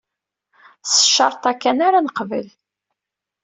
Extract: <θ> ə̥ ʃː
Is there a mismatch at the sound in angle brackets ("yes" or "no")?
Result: yes